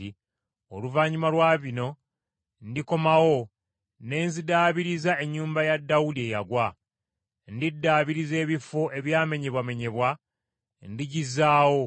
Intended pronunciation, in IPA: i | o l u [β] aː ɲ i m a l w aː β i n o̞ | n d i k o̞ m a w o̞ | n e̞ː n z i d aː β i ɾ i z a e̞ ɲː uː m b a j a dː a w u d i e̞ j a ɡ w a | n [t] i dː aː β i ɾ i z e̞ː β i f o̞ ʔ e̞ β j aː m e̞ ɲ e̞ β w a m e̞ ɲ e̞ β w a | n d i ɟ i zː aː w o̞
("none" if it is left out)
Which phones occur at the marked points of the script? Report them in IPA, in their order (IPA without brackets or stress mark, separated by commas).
v, d